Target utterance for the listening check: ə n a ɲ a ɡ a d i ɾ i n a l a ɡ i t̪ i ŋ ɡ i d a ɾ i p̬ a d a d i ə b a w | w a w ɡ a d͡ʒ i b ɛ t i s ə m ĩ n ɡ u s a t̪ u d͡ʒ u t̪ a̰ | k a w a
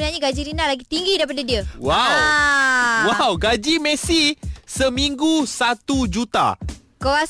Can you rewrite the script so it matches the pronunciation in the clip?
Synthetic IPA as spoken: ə n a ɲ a ɡ a d͡ʒ i ɾ i n a l a ɡ i t̪ i ŋ ɡ i d a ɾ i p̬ a d a d i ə w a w | w a w ɡ a d͡ʒ i m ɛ s i s ə m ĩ ŋ ɡ u s a t̪ u d͡ʒ u t̪ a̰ | k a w a